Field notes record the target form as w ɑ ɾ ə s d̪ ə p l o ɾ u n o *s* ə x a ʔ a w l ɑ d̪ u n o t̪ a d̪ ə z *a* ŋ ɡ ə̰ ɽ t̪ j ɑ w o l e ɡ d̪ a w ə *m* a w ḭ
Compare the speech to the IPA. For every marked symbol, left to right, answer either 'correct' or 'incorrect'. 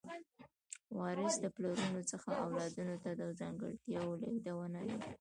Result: incorrect, incorrect, incorrect

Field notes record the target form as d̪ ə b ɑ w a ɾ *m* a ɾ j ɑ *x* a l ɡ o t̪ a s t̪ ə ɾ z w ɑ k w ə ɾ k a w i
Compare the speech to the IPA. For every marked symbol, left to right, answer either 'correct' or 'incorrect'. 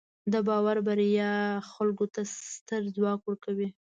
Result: incorrect, correct

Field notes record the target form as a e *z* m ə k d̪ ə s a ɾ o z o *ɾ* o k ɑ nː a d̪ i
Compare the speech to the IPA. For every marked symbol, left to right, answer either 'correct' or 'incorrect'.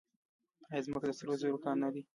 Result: correct, correct

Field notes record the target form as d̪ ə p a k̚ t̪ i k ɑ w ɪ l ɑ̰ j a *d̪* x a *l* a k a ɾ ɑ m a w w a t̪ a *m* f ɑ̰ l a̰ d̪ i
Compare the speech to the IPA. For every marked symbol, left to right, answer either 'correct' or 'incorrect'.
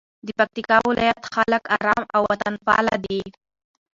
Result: incorrect, correct, incorrect

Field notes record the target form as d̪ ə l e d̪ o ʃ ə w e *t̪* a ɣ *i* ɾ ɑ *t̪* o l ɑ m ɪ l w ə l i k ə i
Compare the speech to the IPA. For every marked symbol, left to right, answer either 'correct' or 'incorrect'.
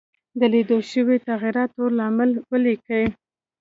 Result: correct, correct, correct

